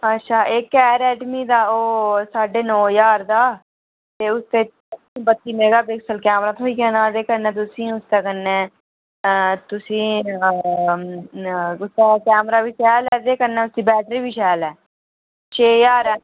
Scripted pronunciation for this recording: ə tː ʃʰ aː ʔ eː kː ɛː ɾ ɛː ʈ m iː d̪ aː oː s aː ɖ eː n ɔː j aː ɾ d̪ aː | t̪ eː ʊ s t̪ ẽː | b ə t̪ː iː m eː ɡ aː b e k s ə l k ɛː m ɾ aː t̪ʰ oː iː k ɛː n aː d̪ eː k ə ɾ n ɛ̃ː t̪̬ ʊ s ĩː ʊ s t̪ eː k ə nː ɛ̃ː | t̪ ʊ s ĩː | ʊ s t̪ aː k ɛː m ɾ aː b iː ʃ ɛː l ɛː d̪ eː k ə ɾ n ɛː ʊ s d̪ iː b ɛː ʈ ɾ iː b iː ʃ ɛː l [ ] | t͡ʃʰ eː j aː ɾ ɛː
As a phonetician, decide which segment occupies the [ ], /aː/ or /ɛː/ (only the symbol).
ɛː